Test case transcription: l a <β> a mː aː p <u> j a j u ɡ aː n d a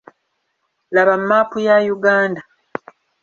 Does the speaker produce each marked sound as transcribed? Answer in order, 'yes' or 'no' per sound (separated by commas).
yes, yes